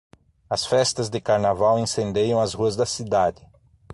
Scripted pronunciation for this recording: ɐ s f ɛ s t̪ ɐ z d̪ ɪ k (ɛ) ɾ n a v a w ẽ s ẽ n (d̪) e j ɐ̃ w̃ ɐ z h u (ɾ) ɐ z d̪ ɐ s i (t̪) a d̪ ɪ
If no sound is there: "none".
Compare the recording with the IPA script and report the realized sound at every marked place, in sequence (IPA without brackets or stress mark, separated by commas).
a, d̪, none, d̪